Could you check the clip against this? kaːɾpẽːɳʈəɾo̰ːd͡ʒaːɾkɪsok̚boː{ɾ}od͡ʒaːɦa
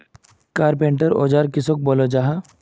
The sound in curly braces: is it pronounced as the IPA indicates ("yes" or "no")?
no